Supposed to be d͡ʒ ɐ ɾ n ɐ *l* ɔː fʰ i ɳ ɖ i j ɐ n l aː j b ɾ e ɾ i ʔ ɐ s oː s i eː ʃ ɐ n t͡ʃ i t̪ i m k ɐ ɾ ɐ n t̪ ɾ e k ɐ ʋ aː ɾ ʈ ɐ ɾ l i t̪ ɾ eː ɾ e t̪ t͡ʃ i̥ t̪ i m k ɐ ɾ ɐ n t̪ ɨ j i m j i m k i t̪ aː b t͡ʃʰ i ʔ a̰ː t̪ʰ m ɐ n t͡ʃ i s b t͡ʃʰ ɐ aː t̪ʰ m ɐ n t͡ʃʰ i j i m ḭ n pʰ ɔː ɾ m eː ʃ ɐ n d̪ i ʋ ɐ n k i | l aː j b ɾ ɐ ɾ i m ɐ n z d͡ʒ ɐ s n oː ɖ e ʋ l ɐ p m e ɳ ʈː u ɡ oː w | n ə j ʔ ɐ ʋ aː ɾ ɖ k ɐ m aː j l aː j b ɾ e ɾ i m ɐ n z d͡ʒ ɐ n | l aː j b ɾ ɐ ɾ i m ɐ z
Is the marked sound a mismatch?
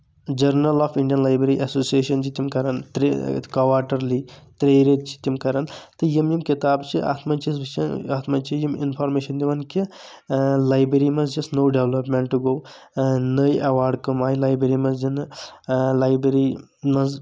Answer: no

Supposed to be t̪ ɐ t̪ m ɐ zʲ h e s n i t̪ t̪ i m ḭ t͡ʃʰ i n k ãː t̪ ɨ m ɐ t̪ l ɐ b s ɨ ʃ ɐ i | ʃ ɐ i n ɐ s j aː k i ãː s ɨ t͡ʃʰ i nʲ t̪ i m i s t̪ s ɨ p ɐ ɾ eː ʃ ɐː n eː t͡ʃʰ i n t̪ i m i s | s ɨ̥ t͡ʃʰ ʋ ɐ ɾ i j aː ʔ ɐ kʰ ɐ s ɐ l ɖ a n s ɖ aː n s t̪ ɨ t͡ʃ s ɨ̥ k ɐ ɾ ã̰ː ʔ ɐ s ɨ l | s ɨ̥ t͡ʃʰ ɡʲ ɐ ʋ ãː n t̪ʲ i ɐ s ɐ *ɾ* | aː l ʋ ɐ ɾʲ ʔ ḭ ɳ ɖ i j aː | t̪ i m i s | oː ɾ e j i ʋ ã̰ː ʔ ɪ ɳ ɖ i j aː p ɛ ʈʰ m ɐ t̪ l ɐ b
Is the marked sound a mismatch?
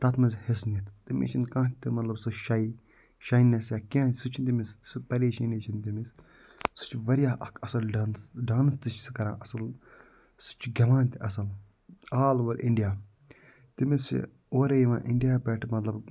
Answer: yes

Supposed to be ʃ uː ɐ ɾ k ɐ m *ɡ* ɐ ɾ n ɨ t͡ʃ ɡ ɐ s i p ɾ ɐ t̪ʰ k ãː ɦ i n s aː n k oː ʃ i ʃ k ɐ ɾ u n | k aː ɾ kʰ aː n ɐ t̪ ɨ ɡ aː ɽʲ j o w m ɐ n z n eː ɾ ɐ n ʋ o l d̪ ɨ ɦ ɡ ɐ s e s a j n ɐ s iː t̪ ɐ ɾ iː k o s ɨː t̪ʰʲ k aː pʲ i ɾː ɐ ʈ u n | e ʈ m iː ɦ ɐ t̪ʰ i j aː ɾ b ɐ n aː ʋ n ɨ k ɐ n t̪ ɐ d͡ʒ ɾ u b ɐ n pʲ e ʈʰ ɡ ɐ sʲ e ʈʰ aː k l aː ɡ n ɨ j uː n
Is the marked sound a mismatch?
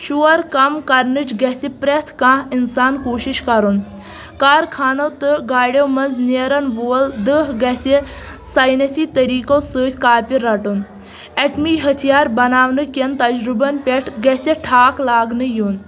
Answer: yes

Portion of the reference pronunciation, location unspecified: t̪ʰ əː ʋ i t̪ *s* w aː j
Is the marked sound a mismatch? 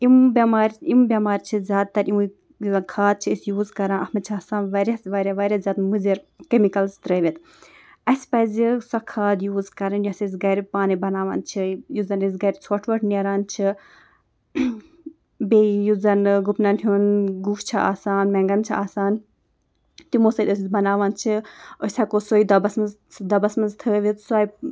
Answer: no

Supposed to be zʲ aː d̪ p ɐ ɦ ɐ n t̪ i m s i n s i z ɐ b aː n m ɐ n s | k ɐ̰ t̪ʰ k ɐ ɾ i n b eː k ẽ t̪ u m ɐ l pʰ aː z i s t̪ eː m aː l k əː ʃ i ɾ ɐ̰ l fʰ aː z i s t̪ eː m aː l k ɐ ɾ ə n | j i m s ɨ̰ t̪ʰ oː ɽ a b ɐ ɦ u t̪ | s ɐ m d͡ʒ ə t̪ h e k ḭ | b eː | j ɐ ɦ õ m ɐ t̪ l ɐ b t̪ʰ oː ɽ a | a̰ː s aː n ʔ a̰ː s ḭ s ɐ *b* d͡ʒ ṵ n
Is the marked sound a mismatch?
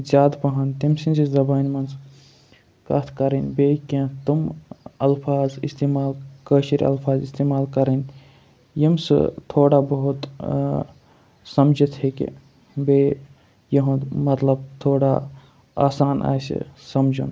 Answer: yes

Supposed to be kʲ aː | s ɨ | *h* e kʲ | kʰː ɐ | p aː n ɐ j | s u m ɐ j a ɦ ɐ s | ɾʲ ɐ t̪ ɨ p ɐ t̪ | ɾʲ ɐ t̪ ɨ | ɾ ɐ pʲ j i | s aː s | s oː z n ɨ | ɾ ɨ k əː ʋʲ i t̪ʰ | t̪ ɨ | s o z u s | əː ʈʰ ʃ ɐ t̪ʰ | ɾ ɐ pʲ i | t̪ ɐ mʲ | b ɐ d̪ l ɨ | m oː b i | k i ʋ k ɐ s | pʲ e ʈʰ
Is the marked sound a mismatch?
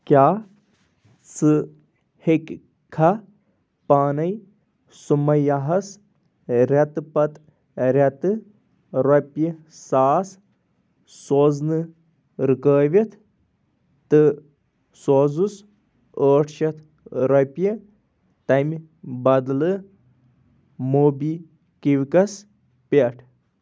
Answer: no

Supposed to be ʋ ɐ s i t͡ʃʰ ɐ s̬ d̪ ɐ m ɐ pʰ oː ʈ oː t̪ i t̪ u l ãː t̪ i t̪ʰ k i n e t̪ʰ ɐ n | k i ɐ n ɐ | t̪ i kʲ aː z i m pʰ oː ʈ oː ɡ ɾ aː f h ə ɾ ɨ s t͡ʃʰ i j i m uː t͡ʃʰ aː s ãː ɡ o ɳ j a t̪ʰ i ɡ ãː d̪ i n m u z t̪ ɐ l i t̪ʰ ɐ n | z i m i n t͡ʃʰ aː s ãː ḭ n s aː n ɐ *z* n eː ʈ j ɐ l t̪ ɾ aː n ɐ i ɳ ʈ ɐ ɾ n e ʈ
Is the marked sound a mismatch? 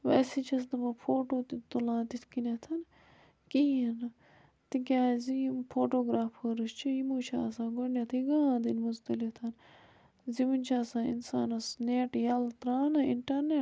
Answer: yes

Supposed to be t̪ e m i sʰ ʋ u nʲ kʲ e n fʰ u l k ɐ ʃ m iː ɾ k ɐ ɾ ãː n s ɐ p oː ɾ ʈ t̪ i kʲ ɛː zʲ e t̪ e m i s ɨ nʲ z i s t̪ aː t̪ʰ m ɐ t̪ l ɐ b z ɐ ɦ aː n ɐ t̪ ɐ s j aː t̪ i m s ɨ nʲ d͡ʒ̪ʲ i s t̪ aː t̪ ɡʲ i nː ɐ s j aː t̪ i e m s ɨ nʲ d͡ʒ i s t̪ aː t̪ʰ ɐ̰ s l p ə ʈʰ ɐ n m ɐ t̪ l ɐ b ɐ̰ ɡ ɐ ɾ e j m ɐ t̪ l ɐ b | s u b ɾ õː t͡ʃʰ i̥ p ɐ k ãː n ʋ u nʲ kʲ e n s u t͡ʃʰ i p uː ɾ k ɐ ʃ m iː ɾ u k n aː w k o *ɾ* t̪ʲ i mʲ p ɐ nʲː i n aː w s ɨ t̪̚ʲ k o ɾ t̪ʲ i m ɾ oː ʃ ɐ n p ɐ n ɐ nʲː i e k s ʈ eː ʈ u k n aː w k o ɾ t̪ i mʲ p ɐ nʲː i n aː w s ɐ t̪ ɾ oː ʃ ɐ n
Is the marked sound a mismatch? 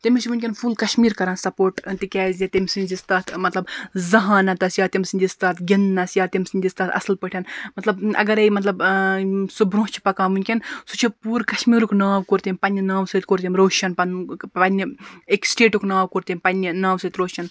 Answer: no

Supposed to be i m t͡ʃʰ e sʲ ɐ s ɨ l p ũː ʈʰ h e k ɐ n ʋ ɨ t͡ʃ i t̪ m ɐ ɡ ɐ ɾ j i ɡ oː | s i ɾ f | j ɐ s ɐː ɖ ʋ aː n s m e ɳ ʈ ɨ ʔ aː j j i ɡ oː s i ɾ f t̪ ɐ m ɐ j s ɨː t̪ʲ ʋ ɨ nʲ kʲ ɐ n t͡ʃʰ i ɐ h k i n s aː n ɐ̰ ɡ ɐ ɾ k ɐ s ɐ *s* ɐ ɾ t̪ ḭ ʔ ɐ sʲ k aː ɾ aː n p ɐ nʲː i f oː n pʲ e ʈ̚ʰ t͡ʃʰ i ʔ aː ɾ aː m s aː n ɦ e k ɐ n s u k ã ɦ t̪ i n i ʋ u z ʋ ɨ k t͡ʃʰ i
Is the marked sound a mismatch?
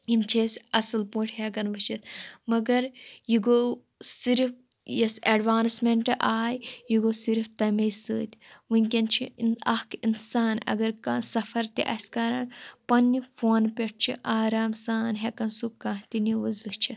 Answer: yes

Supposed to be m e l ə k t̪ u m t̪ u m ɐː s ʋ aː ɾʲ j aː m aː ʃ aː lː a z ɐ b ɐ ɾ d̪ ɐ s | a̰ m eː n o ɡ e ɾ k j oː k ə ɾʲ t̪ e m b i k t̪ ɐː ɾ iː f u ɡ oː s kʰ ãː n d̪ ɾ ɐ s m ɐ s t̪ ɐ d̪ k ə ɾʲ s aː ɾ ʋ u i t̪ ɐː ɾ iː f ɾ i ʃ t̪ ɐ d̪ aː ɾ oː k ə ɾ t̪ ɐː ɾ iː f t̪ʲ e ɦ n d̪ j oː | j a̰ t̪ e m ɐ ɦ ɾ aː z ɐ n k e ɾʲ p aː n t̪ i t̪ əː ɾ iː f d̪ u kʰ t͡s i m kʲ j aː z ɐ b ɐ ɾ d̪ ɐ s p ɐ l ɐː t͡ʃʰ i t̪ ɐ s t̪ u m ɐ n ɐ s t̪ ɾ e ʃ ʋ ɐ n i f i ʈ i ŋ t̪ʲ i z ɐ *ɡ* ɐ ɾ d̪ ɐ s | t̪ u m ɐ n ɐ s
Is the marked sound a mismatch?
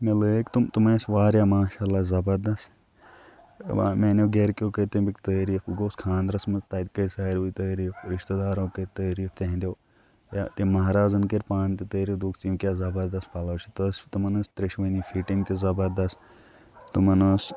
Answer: yes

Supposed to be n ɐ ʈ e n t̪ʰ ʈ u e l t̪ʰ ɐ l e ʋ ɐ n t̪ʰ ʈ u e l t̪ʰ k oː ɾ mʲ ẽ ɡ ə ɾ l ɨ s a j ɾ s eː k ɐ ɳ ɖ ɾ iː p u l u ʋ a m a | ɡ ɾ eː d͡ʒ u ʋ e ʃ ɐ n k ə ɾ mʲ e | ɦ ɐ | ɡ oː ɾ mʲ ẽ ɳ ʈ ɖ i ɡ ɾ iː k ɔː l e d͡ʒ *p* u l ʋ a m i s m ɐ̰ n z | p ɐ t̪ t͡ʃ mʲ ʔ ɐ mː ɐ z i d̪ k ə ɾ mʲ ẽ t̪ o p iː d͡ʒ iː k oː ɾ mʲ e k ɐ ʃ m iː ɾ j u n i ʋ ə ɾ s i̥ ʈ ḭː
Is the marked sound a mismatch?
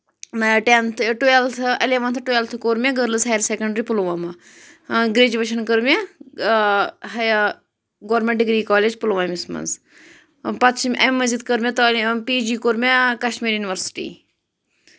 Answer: no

